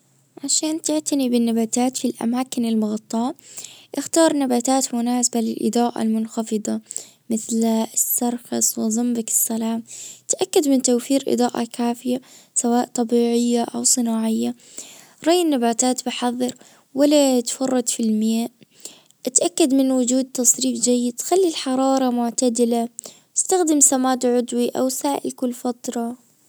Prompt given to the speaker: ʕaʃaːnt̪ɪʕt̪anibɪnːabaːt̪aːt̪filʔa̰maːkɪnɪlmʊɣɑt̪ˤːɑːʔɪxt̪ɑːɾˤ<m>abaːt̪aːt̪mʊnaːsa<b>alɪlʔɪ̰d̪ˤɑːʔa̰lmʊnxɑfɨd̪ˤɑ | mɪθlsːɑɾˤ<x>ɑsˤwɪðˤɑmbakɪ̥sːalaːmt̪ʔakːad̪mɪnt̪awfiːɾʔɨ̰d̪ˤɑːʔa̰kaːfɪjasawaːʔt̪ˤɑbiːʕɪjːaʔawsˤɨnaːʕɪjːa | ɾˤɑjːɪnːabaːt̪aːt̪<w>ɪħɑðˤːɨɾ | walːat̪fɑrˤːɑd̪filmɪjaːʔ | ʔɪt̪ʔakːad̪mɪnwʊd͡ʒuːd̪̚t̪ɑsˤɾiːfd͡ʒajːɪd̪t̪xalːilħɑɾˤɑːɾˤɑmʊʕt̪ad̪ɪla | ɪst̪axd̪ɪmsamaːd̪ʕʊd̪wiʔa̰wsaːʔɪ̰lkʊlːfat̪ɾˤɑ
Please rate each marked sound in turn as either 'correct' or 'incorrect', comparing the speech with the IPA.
incorrect: n, correct, correct, incorrect: b

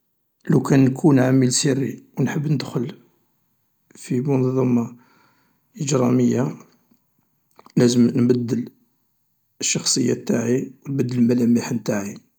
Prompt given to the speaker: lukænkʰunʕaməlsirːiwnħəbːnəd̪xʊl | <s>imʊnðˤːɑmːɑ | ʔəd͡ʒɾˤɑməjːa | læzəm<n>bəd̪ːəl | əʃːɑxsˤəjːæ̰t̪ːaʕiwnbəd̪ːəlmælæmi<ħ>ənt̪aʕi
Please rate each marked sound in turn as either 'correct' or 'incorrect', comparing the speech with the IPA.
incorrect: f, correct, correct

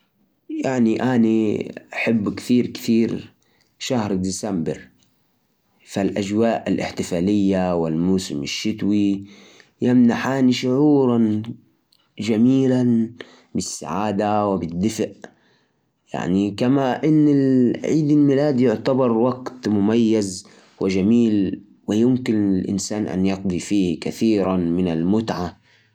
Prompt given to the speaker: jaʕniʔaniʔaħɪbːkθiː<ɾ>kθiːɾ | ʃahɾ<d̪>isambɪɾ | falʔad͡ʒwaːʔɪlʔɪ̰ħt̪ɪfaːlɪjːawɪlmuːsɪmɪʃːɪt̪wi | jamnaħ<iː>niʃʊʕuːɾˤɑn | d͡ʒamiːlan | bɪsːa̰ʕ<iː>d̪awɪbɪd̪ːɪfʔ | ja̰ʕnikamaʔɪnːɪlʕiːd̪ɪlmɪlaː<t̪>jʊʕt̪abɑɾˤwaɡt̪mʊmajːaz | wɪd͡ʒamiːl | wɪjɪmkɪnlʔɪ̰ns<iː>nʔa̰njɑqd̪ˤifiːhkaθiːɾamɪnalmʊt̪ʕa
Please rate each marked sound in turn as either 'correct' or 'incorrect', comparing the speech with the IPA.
correct, correct, incorrect: aː, incorrect: aː, incorrect: d̪, incorrect: aː

